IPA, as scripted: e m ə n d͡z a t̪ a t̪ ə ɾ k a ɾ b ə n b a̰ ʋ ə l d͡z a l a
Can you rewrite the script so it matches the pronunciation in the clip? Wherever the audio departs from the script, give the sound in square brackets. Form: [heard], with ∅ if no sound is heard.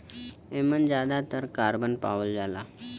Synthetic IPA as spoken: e m ə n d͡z a [d̪] a t̪ ə ɾ k a ɾ b ə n [p] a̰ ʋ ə l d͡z a l a